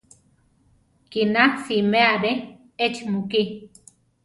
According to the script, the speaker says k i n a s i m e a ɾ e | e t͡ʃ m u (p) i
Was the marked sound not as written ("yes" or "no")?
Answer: yes